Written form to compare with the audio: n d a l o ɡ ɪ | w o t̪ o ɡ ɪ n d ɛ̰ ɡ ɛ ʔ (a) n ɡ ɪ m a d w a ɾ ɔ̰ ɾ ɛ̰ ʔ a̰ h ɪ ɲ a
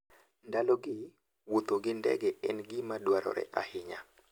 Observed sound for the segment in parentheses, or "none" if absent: ɛ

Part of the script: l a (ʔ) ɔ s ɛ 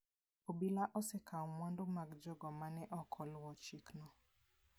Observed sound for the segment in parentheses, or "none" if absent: ʔ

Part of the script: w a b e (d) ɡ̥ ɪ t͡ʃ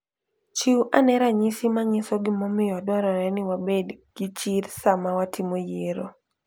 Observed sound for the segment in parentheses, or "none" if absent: d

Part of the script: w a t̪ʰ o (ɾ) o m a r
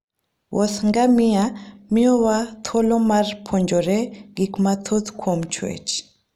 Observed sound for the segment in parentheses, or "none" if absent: l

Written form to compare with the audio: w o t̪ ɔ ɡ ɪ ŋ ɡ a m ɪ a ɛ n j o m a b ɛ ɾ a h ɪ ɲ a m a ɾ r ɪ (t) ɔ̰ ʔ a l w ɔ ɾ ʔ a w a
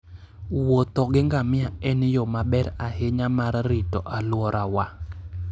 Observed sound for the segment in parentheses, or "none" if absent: t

